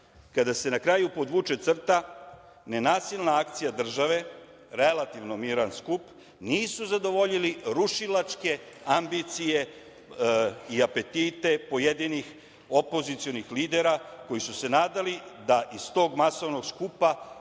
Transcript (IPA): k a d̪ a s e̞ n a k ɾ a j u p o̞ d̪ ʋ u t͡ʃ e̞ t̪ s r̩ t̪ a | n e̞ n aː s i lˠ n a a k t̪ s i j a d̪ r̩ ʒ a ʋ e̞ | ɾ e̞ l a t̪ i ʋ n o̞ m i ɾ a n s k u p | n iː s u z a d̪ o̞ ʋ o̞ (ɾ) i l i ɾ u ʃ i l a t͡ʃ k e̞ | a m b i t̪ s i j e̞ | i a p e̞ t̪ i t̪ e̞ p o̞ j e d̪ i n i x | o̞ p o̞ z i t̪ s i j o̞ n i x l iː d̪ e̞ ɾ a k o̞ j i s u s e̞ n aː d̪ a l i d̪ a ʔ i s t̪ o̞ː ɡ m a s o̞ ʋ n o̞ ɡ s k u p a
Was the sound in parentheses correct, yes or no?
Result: no